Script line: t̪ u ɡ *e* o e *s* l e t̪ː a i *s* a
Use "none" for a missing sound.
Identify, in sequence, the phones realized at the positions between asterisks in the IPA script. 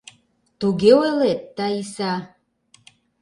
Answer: e, none, s

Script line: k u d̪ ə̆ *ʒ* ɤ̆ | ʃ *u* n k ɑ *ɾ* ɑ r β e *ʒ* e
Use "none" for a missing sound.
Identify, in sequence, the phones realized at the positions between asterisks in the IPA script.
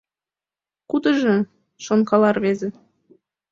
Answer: ʒ, o, l, z

